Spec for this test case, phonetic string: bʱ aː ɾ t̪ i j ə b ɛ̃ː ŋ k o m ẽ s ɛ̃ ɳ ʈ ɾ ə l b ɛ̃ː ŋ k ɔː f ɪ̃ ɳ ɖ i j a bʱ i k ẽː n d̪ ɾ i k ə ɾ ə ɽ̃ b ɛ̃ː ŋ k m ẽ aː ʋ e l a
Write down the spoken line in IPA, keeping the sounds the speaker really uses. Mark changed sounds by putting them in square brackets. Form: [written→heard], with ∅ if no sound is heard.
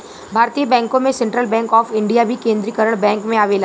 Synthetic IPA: bʱ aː ɾ t̪ i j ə b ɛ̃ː ŋ k [o→õ] m ẽ s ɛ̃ ɳ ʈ ɾ ə l b ɛ̃ː ŋ k ɔː f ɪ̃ ɳ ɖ i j a bʱ i k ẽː n d̪ ɾ i k ə ɾ ə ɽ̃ b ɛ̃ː ŋ k m ẽ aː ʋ e l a